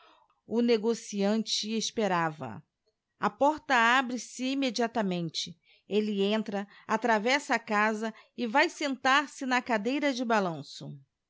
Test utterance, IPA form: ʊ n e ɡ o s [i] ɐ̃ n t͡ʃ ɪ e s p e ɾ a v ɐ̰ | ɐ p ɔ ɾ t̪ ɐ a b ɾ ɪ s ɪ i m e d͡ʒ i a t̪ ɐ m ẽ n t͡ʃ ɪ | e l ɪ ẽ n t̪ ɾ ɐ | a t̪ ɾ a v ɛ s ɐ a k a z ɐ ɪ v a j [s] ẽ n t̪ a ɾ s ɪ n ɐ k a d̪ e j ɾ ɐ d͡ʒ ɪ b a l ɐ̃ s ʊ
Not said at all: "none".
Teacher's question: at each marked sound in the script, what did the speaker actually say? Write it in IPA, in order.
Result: i, s

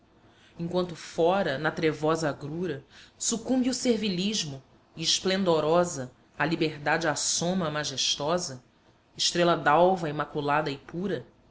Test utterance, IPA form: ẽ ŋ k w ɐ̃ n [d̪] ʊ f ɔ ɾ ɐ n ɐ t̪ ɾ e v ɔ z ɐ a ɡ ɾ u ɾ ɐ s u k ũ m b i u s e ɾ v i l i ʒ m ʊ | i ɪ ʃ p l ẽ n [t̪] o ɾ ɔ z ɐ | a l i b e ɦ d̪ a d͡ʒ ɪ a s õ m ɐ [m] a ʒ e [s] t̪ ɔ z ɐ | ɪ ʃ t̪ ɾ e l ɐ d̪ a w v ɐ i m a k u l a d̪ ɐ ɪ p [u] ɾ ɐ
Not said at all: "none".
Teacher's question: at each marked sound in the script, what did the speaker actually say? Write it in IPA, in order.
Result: t̪, d̪, m, ʃ, u

